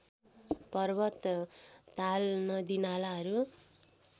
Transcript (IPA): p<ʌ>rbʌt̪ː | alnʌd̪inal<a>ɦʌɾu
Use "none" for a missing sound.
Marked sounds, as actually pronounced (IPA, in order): ʌ, a

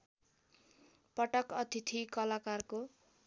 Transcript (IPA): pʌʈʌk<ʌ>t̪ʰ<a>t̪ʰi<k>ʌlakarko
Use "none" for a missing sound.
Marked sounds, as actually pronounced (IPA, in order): ʌ, i, k

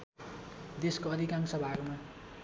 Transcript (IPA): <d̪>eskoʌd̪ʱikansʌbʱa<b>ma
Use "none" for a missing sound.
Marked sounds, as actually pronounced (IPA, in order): d̪, ɡ

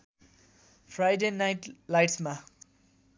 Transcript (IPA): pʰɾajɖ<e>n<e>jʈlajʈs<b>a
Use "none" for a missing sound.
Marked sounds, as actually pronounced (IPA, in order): e, a, m

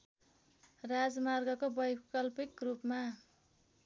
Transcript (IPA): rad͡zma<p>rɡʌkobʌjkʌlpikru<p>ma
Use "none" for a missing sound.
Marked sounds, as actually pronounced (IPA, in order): none, p

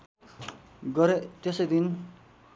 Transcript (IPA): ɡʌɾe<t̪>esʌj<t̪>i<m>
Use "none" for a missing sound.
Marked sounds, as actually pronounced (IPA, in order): t̪, d̪, n

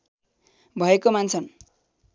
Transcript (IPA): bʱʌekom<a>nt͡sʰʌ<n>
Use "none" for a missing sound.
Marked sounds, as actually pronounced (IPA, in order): a, n

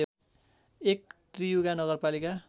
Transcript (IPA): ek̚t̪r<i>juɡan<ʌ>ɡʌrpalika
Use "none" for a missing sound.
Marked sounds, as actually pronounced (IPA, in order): i, ʌ

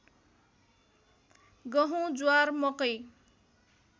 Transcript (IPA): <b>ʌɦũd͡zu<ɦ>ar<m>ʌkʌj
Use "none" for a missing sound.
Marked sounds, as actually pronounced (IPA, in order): ɡ, none, m

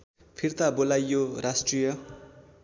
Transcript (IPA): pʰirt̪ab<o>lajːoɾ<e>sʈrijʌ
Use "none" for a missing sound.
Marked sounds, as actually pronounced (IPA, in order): o, a

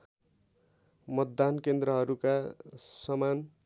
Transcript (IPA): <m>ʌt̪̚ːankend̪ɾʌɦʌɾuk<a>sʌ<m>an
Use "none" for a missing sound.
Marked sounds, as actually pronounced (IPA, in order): m, a, m

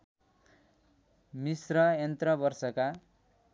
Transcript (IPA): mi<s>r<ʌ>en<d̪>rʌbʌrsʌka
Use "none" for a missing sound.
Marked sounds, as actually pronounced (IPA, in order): s, ʌ, t̪

